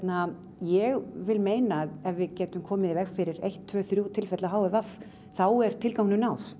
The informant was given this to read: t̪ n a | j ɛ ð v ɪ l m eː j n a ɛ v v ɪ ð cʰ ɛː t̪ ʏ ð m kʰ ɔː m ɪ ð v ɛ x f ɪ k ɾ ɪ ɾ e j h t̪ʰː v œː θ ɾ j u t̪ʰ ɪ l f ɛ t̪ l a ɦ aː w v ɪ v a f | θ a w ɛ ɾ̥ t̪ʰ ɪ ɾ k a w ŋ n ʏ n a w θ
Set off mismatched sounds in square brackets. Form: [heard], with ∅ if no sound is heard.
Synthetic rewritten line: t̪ n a | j ɛ [ɣ] v ɪ l m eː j n a ɛ v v ɪ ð [c] ɛː t̪ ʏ [∅] m kʰ ɔː m ɪ ð v ɛ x f ɪ [∅] ɾ ɪ ɾ e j h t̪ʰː v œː θ ɾ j u t̪ʰ ɪ l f ɛ t̪ l a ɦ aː w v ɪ v a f | θ a w ɛ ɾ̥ t̪ʰ ɪ [l] k a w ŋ n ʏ n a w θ